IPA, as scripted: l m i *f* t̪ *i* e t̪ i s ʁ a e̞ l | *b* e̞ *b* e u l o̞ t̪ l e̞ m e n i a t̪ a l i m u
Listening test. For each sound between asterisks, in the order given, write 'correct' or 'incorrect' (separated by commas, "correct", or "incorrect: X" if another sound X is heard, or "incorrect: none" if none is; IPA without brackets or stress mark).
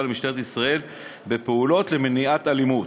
incorrect: ʃ, incorrect: e, correct, incorrect: p